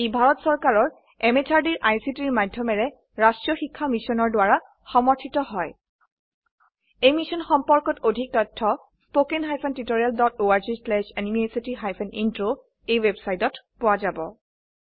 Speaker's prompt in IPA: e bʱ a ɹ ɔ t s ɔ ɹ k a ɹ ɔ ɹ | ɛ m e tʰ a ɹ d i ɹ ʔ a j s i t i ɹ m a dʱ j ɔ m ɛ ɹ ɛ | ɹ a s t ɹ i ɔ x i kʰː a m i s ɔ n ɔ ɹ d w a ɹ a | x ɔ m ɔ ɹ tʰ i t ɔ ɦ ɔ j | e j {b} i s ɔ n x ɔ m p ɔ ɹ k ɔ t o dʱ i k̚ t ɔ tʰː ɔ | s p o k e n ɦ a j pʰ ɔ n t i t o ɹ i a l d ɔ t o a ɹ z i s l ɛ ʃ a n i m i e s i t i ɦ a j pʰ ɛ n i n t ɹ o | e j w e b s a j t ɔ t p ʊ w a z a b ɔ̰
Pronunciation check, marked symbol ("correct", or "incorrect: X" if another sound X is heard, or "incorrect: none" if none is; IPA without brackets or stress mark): incorrect: m